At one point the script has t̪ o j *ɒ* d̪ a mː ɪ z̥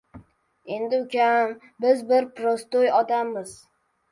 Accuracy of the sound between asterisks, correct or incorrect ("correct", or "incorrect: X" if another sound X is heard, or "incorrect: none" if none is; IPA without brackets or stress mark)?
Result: correct